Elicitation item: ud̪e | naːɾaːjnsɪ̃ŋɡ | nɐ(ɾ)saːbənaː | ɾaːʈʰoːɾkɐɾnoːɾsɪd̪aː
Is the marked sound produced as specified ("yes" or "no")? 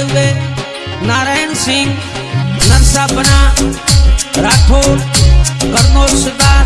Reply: yes